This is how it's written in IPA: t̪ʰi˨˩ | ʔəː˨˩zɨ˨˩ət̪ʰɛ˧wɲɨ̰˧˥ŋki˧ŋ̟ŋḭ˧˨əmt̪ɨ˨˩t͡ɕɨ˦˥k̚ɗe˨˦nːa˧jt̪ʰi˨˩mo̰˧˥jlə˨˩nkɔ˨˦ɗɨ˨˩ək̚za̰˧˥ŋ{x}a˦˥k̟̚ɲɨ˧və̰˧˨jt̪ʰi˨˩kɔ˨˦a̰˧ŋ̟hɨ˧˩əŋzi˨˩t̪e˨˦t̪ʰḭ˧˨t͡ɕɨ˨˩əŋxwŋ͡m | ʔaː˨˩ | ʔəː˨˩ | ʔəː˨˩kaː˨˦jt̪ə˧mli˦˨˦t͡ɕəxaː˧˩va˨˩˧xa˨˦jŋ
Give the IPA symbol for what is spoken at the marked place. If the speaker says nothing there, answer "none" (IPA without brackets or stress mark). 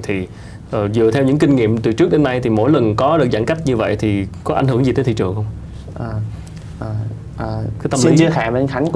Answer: k